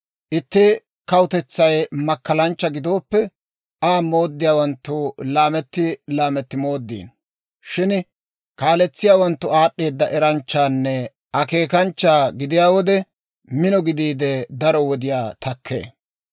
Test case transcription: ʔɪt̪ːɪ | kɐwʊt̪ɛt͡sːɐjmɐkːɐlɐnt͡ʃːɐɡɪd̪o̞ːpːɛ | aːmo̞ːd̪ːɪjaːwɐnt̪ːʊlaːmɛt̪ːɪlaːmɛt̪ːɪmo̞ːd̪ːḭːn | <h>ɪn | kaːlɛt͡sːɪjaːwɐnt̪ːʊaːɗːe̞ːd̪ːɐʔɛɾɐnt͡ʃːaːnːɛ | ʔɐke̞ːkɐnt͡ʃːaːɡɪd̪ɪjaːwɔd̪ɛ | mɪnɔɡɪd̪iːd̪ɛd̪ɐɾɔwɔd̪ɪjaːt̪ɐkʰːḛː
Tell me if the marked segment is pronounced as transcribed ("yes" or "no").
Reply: no